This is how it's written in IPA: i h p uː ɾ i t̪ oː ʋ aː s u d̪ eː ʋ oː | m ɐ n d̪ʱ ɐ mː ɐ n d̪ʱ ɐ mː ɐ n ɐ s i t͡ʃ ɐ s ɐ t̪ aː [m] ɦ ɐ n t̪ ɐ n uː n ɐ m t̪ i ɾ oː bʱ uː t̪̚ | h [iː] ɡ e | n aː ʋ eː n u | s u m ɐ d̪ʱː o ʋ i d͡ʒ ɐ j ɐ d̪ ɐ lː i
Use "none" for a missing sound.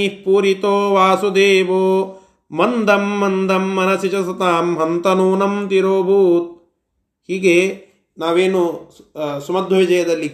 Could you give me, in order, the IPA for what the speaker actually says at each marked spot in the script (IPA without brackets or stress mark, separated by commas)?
m, iː